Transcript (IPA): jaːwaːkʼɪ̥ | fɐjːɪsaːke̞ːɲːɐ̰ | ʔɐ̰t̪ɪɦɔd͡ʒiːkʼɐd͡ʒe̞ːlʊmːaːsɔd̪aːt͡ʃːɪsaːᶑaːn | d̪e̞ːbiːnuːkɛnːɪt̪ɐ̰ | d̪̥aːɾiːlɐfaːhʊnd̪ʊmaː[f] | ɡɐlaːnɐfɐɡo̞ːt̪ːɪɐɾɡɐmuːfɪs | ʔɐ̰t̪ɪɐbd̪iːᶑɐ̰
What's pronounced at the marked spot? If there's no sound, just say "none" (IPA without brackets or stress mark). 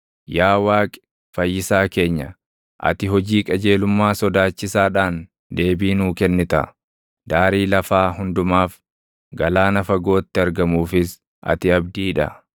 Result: f